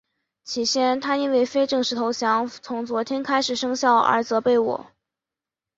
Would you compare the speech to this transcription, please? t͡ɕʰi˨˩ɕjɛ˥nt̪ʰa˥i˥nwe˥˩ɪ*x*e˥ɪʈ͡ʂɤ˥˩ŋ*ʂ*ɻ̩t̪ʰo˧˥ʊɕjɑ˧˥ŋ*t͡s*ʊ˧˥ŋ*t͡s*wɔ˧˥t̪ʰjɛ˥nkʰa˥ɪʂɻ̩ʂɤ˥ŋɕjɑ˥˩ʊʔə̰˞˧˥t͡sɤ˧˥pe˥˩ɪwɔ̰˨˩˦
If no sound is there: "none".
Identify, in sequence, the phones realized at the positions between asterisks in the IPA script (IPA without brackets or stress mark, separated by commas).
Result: f, ʂ, t͡sʰ, t͡s